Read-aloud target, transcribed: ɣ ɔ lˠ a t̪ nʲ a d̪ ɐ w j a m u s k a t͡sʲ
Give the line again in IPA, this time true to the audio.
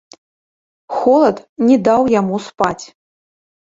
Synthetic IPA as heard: x ɔ lˠ ɐ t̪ nʲ ɛ d̪ a w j a m u s p a t͡sʲ